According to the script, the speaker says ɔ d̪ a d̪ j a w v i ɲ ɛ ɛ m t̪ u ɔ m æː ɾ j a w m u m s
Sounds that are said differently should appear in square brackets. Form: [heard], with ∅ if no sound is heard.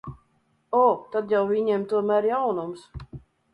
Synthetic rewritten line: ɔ [t̪] a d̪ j a w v i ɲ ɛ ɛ m t̪ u ɔ m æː ɾ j a w [n] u m s